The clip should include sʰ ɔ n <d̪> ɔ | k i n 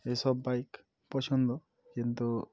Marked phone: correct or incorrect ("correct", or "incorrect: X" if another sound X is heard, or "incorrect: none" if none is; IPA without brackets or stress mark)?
correct